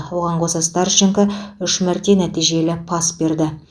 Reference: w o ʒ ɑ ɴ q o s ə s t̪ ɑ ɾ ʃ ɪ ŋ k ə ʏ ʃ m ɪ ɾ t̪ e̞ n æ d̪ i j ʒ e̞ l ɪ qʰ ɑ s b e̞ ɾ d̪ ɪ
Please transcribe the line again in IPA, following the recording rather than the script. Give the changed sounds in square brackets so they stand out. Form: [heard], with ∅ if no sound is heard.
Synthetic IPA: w o [ʁ] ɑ ɴ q o s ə s t̪ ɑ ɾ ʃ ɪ ŋ k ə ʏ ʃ m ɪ ɾ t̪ e̞ n æ [t̪] i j ʒ e̞ l ɪ [pʰ] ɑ s b e̞ ɾ d̪ ɪ